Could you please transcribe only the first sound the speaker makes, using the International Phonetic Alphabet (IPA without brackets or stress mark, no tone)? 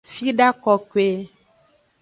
f